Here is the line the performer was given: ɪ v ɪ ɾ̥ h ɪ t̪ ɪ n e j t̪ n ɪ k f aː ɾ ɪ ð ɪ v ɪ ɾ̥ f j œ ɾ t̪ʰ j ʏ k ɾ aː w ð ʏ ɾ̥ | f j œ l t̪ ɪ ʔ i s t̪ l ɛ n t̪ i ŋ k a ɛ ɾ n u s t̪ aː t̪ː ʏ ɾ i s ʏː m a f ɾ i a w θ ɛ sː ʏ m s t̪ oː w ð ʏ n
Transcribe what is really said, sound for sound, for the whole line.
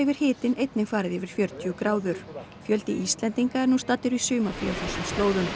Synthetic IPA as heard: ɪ v ɪ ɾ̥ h ɪː t̪ ɪ n e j t̪ n ɪ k f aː ɾ ɪ ð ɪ v ɪ ɾ̥ f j œ ɾ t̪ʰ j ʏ k ɾ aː w ð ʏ ɾ̥ | f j œ l t̪ ɪ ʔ i s t̪ l ɛ n t̪ i ŋ k a ɛ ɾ n u s t̪ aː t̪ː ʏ ɾ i s ʏː m a f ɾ i a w θ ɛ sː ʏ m s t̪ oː w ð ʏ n